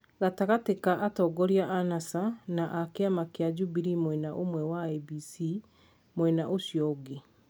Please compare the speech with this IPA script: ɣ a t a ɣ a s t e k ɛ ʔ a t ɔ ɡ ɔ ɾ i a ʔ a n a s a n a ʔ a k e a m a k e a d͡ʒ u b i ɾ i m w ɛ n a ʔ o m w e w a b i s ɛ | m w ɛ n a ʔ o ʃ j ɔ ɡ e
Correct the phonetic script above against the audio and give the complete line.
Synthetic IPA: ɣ a t a ɣ a t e k a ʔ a t ɔ ɡ ɔ ɾ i a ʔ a n a s a n a ʔ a k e a m a k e a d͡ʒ u b i ɾ i m w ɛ n a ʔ o m w ɛ w a b i s i | m w ɛ n a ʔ o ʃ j ɔ ɡ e